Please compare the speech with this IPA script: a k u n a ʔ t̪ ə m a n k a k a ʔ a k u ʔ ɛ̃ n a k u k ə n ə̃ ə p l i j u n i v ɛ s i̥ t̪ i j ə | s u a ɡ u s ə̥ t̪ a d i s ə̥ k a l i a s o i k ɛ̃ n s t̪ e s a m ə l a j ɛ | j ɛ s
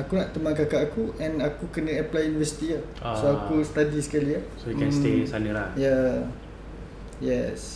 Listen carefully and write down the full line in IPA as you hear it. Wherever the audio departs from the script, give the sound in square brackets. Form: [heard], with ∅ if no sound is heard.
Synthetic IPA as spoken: a k u n a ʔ t̪ ə m a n k a k a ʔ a k u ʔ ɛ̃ n a k u k ə n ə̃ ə p l [a] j u n i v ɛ s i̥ t̪ i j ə | s [o] a [k] u s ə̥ t̪ a d i s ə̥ k a l i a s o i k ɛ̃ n s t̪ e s a [n] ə l a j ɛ | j ɛ s